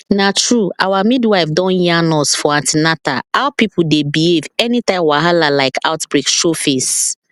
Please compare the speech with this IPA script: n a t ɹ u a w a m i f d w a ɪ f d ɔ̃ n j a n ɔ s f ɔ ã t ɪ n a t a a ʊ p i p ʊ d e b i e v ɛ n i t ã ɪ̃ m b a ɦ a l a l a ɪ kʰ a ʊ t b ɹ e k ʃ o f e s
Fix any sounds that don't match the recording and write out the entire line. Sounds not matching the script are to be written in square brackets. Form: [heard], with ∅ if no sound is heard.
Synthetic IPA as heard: n a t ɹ u a w a m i [∅] d w a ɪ f d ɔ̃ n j a n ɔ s f ɔ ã t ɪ n a t a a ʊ p i p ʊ d e b i e v ɛ n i t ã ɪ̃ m [w] a ɦ a l a l a ɪ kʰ a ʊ t b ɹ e k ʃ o f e s